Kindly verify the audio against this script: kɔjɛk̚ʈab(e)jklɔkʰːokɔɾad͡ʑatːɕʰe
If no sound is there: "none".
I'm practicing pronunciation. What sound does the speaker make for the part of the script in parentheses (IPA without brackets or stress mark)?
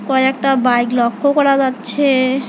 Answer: a